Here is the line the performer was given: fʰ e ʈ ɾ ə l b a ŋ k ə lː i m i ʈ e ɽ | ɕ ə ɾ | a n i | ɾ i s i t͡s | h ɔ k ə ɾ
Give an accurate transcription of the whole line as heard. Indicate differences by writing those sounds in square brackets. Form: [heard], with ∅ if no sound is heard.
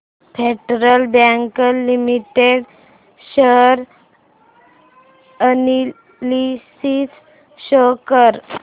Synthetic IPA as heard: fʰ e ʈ ɾ ə l b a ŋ k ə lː i m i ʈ e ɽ | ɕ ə ɾ | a n i | [l] i s i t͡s | [ɕ] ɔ k ə ɾ